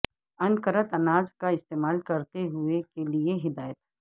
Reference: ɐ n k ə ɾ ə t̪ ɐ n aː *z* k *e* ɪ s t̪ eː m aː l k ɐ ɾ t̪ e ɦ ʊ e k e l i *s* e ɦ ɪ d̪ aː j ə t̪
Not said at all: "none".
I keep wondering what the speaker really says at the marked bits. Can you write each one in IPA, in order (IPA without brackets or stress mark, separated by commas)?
z, a, none